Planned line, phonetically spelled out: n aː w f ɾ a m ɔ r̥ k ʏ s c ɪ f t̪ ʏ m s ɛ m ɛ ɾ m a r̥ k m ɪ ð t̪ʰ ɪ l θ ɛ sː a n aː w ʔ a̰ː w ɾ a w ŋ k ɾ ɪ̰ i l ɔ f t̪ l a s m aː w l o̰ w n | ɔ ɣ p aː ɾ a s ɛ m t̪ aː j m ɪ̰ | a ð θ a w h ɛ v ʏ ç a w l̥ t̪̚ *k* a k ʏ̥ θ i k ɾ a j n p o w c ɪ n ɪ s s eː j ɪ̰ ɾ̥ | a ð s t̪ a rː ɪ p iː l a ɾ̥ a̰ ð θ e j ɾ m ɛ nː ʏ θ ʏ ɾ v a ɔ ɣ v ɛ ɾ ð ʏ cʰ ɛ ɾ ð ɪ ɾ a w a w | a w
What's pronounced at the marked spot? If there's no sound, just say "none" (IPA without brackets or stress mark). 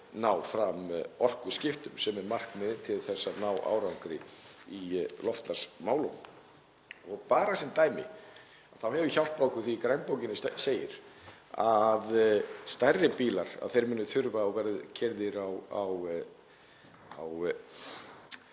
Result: p